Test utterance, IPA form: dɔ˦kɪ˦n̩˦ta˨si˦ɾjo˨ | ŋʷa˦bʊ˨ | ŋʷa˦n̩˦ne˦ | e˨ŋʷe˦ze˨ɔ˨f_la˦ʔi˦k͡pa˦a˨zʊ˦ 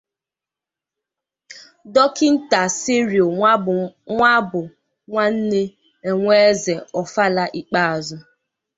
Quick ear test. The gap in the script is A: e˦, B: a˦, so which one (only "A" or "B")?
B